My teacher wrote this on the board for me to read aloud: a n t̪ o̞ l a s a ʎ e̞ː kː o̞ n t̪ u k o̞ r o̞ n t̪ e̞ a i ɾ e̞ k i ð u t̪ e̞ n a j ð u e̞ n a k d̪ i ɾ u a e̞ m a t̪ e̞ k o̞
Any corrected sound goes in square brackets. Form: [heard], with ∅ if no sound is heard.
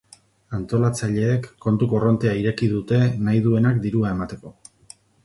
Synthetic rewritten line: a n t̪ o̞ l a [t͡s] a ʎ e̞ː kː o̞ n t̪ u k o̞ r o̞ n t̪ e̞ a i ɾ e̞ k i ð u t̪ e̞ n a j ð u e̞ n a k d̪ i ɾ u a e̞ m a t̪ e̞ k o̞